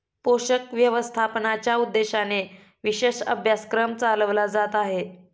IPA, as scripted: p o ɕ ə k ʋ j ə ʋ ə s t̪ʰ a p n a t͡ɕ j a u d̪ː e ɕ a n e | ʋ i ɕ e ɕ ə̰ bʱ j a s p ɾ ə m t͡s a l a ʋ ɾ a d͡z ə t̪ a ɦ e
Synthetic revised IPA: p o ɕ ə k ʋ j ə ʋ ə s t̪ʰ a p n a t͡ɕ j a u d̪ː e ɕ a n e | ʋ i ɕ e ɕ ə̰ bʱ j a s k ɾ ə m t͡s a l ə ʋ l a d͡z a t̪ a ɦ e